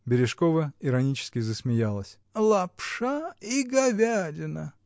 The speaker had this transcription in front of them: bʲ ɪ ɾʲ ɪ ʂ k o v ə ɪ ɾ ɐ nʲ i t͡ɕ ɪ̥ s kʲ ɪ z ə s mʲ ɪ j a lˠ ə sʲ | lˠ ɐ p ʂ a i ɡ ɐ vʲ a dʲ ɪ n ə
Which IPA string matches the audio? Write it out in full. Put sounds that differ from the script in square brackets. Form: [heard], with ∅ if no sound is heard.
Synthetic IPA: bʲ ɪ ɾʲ ɪ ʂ k o v ə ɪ ɾ ɐ nʲ i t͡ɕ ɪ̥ s kʲ ɪ z ə s mʲ ɪ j a lˠ ə sʲ | lˠ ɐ p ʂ a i ɡ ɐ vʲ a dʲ ɪ n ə